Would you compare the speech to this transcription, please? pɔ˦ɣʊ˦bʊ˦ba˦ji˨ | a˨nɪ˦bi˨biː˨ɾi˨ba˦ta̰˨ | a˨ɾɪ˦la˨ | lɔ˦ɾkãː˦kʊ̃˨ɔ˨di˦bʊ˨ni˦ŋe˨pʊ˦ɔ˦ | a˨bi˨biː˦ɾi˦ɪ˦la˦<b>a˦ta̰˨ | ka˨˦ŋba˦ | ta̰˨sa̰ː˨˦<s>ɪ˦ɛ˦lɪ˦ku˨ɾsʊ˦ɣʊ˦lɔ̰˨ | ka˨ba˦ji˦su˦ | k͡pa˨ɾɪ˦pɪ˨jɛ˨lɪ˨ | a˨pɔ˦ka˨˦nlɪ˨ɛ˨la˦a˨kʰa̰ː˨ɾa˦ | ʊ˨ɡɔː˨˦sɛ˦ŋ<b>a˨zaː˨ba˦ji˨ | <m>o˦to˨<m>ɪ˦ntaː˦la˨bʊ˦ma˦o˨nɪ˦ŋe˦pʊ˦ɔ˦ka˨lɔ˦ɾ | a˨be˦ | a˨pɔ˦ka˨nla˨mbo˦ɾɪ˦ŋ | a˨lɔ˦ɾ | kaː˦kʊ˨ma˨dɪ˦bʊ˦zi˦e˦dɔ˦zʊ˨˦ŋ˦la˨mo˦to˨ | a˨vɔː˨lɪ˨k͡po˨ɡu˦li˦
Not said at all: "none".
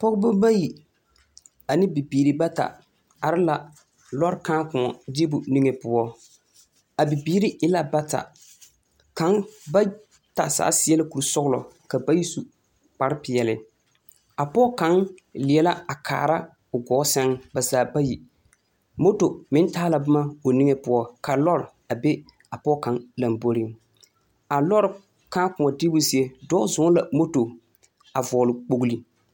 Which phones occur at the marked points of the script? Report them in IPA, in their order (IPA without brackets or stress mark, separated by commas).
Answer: b, s, b, m, m